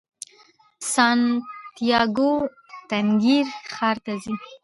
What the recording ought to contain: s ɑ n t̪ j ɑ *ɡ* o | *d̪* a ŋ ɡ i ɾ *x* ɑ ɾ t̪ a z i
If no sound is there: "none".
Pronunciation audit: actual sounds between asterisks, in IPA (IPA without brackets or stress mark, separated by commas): ɡ, t̪, x